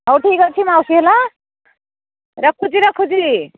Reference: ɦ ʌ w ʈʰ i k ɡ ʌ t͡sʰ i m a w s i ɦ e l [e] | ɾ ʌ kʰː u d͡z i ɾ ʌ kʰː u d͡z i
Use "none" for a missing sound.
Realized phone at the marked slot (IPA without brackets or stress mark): a